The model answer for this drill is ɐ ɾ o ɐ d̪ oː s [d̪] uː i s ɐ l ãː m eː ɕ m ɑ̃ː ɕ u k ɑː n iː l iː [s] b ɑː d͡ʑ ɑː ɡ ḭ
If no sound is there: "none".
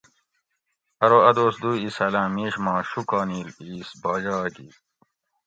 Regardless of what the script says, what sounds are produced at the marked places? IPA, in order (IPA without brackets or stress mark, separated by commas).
d̪, s